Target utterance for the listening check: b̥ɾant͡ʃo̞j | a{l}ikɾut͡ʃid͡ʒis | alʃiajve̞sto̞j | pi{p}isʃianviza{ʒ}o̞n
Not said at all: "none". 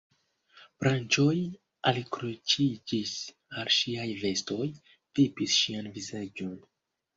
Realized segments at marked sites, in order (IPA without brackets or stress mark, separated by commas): l, p, d͡ʒ